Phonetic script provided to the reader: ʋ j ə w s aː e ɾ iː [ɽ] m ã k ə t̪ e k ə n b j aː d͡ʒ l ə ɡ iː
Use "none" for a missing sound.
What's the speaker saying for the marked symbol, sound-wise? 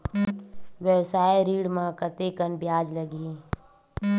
ɽ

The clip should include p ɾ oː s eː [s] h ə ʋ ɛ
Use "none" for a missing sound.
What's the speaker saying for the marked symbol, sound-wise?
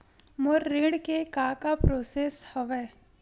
s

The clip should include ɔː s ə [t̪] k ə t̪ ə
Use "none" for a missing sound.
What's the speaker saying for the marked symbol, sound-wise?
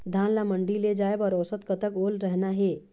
t̪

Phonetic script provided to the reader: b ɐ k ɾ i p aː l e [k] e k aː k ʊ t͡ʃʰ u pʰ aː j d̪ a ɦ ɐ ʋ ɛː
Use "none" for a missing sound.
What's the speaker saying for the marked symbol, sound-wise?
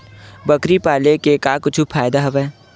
k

